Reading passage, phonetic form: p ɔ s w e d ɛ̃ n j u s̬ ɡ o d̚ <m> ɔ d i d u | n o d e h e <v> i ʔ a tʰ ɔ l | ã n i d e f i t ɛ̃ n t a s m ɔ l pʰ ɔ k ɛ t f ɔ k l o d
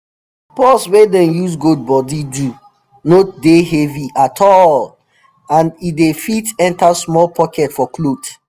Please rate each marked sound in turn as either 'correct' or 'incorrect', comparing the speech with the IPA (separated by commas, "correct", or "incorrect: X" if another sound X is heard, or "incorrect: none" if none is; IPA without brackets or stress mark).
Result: incorrect: b, correct